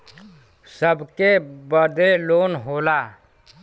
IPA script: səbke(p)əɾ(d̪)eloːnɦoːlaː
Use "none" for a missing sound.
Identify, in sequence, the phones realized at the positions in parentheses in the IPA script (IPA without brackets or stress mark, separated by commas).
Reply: b, d̪